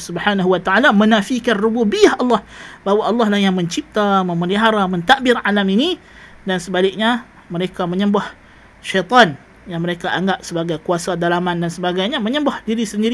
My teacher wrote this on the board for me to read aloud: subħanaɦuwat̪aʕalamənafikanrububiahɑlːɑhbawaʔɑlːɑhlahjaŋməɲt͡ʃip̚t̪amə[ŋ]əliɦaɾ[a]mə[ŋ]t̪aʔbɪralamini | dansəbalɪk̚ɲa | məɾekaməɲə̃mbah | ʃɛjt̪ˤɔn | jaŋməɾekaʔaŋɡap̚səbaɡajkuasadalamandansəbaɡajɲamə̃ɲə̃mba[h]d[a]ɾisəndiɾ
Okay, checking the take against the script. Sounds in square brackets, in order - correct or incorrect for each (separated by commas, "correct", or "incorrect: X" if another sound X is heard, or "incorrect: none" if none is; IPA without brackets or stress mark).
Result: incorrect: m, correct, incorrect: n, correct, incorrect: i